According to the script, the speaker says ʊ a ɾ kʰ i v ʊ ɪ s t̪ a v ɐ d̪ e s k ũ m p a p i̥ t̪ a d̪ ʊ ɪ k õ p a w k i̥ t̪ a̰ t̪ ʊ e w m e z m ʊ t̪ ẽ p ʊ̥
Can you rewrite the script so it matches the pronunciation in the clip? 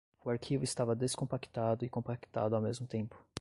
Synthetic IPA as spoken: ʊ a ɾ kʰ i v ʊ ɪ s t̪ a v ɐ d̪ e s k õ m p a k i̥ t̪ a d̪ ʊ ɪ k õ p a k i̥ t̪ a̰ d̪ ʊ a w m e z m ʊ t̪ ẽ p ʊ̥

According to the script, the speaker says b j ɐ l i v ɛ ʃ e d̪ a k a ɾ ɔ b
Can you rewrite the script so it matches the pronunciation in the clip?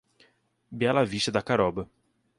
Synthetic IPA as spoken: b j a l a v i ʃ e d̪ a k a ɾ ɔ b

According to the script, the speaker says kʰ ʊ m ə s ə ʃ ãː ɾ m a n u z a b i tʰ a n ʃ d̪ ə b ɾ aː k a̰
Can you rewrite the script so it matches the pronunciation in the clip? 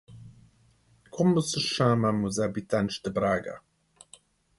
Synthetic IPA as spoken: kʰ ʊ m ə s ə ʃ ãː m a m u z a b i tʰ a n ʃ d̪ ə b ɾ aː ɡ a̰

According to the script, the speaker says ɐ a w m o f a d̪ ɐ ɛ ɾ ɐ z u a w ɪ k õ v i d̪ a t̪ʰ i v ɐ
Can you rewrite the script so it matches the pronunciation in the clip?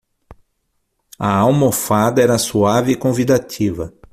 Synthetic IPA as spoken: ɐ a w m o f a d̪ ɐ ɛ ɾ ɐ s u a v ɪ k õ v i d̪ a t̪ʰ i v ɐ

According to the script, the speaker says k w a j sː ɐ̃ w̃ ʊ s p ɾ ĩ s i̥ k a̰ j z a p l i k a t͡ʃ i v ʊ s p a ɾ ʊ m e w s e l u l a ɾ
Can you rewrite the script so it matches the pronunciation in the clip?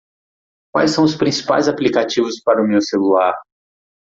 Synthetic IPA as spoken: k w a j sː ɐ̃ w̃ ʊ s p ɾ ĩ s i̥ p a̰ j z a p l i k a t͡ʃ i v ʊ s p a ɾ ʊ m e w s e l u l a ɾ

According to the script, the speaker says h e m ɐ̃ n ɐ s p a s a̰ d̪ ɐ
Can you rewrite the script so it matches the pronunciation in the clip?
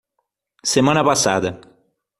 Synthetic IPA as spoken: s e m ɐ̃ n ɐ p a s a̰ d̪ ɐ

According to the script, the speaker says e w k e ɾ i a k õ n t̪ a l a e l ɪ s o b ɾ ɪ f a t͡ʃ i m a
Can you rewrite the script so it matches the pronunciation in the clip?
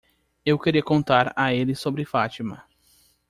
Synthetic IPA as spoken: e w k e ɾ i ɐ k õ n t̪ a ɾ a e l ɪ s o b ɾ ɪ f a t͡ʃ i m ɐ

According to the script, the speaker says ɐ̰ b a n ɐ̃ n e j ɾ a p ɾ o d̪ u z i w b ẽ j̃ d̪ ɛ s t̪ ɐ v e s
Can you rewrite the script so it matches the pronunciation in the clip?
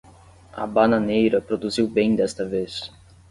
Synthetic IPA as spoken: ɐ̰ b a n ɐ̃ n e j ɾ ɐ p ɾ o d̪ u z i w b ẽ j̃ d̪ ɛ s t̪ ɐ v e s

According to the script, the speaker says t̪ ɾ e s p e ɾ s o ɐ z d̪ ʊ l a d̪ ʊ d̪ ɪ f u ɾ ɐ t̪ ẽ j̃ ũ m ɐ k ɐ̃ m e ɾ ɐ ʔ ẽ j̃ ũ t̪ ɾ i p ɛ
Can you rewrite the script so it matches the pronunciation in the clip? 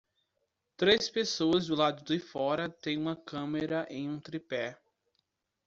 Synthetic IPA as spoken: t̪ ɾ e s p e s o ɐ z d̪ ʊ l a d̪ ʊ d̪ ɪ f ɔ ɾ ɐ t̪ ẽ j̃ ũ m ɐ k ɐ̃ m e ɾ ɐ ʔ ẽ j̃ ũ t̪ ɾ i p ɛ

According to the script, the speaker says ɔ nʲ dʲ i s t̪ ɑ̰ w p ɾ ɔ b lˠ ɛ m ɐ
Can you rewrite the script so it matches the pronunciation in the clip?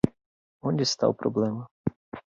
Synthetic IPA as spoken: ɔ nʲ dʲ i s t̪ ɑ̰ w p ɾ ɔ b lˠ ɛ m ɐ

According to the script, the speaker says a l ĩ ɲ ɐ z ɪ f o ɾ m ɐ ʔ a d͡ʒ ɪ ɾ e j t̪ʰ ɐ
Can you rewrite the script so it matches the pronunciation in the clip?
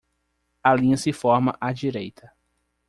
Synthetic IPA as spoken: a l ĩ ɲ ɐ s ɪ f ɔ ɾ m ɐ ʔ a d͡ʒ i ɾ e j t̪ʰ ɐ

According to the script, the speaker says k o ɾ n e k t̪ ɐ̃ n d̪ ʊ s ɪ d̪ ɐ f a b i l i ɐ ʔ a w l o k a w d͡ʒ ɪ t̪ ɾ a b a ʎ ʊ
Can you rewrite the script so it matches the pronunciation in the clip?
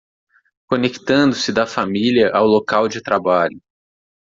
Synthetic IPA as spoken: k o n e k t̪ ɐ̃ n d̪ ʊ s ɪ d̪ ɐ f a m i l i ɐ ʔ a w l o k a w d͡ʒ ɪ t̪ ɾ a b a ʎ ʊ

